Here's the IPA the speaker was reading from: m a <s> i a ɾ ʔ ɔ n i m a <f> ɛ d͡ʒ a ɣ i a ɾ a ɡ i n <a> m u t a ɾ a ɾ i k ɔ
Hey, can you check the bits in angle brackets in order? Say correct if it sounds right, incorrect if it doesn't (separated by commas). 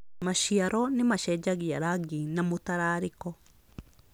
incorrect, incorrect, correct